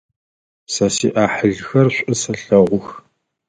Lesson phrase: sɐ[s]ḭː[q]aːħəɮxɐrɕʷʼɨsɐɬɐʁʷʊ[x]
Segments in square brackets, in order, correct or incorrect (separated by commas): correct, incorrect, correct